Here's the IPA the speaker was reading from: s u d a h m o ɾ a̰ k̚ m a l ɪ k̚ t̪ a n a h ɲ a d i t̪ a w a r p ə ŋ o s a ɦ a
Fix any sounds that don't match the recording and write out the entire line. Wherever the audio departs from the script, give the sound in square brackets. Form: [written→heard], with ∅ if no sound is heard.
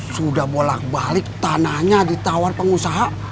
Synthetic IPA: s u d a h [m→b] o [ɾ→l] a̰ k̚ [m→b] a l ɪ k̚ t̪ a n a h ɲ a d i t̪ a w a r p ə ŋ [o→u] s a ɦ a